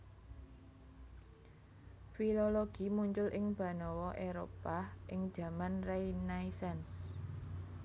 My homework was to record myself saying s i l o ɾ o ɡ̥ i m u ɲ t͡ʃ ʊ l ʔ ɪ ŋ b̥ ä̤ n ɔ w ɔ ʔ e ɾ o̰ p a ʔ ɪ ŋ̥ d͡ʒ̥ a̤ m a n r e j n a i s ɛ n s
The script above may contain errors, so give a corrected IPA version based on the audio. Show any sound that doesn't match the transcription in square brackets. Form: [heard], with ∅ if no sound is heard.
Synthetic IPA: [f] i l o [l] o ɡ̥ i m u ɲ t͡ʃ ʊ l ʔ ɪ ŋ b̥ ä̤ n ɔ w ɔ ʔ e ɾ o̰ p a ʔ ɪ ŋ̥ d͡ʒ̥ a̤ m a n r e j n a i s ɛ n s